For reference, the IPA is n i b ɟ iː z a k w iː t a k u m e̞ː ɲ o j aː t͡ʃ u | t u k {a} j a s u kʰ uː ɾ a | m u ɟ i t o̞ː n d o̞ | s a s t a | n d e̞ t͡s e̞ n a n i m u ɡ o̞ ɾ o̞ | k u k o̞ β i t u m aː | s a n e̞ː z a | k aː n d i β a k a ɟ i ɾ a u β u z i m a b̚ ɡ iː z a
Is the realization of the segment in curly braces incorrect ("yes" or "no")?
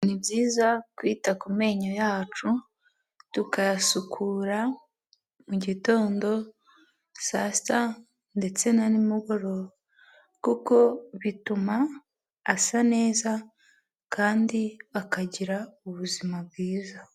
no